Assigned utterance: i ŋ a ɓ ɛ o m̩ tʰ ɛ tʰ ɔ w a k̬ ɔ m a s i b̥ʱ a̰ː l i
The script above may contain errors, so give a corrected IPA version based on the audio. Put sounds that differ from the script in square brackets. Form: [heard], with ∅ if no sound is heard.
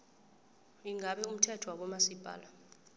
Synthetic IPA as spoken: i ŋ a ɓ ɛ [u] m̩ tʰ ɛ tʰ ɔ w a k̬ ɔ m a s i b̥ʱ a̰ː l [a]